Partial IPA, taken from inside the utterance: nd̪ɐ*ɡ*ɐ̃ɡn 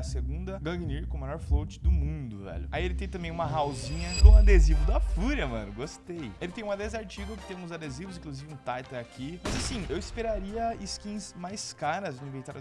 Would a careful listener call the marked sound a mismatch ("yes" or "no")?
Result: no